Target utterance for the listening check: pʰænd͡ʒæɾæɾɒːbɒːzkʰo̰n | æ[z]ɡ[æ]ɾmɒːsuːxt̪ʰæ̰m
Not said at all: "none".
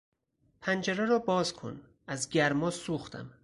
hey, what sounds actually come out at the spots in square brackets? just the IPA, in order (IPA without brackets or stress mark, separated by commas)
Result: z, æ